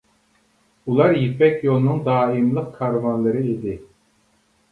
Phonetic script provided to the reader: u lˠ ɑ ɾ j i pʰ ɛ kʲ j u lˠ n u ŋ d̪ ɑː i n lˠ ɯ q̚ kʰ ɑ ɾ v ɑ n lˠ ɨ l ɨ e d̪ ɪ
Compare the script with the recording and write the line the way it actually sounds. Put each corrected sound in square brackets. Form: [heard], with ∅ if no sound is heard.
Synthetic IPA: u lˠ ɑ ɾ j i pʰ ɛ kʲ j [o] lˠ n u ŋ d̪ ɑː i [m] lˠ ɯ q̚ kʰ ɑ ɾ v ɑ n lˠ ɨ [ɾ] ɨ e d̪ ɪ